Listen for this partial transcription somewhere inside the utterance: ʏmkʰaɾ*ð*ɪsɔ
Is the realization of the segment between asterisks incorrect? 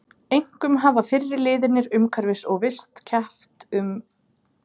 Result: yes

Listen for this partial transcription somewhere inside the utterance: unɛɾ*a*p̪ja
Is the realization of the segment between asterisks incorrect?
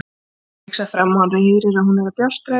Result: no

